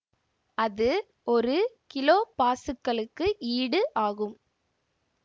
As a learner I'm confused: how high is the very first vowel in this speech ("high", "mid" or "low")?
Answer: low